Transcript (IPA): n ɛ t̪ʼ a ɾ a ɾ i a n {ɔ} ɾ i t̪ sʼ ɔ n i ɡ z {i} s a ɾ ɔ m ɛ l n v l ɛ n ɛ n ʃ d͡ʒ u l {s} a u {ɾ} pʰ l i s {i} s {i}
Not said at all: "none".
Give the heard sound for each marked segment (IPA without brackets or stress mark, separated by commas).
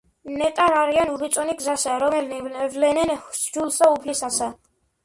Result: u, a, s, none, a, a